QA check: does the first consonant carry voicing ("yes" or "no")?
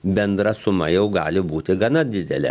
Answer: yes